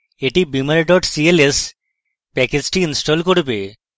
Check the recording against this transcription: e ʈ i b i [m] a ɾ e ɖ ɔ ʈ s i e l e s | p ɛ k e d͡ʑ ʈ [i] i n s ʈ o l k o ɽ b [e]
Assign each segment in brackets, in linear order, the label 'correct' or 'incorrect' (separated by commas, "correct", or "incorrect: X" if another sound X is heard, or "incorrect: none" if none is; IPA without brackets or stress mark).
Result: correct, correct, correct